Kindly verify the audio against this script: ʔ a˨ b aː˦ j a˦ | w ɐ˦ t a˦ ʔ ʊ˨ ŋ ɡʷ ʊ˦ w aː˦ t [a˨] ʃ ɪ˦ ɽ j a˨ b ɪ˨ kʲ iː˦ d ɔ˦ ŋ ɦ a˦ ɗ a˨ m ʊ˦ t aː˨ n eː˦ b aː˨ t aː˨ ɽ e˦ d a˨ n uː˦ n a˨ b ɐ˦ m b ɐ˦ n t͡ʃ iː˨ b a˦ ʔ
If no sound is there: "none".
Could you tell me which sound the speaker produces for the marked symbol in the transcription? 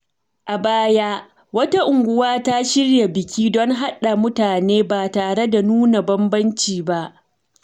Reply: a˦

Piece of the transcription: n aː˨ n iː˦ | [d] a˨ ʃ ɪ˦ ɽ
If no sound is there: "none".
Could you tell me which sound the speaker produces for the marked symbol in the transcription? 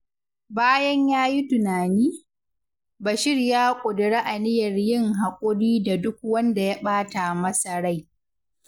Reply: b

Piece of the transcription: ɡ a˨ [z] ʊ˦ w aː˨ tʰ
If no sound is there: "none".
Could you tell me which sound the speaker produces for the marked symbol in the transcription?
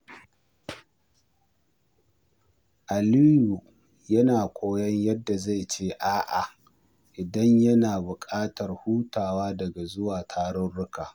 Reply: z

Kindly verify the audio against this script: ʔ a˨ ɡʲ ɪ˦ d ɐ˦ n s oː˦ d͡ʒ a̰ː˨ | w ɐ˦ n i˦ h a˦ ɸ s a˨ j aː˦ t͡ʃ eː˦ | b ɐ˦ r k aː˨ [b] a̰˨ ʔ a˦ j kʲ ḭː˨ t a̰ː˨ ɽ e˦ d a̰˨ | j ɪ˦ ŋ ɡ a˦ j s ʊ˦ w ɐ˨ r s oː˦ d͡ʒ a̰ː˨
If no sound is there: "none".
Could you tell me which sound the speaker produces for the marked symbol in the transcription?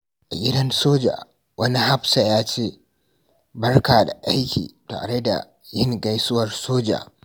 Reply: d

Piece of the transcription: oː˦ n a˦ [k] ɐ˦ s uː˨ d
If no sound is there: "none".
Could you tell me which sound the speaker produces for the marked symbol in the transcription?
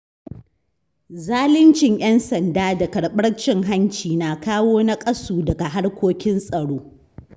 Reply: kʼ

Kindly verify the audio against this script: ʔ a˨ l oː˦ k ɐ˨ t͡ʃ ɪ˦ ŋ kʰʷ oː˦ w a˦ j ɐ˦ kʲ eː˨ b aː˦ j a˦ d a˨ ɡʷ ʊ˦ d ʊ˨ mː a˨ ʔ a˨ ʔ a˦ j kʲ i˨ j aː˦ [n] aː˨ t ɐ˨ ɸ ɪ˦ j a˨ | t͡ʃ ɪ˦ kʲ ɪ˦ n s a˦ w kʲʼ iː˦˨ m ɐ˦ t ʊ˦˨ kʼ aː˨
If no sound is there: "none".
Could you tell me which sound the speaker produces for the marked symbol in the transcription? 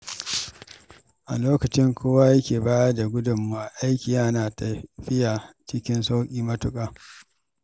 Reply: n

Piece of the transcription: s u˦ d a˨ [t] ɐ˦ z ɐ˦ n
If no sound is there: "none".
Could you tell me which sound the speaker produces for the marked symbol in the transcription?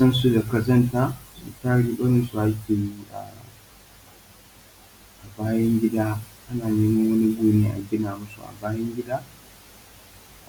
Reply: k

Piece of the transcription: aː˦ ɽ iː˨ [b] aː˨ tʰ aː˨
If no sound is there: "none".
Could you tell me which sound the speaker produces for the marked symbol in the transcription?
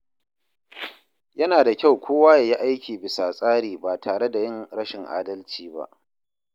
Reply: b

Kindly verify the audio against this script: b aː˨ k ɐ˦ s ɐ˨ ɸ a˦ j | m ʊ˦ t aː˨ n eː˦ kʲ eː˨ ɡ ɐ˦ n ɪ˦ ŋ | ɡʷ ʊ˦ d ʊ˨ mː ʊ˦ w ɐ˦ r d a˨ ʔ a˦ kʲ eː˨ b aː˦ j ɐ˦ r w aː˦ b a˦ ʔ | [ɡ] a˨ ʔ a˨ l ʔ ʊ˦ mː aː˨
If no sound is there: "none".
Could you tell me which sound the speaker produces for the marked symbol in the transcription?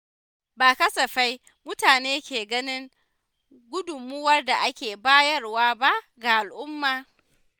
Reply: ɡ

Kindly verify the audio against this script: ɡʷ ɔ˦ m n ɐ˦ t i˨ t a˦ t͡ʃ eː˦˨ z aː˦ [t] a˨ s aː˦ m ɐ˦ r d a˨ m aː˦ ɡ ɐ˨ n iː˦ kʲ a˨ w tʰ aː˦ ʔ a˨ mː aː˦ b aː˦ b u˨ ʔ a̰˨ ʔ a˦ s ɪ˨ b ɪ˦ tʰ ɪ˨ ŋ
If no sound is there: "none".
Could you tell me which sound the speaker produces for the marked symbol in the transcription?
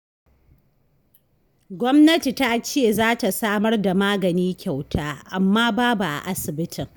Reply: t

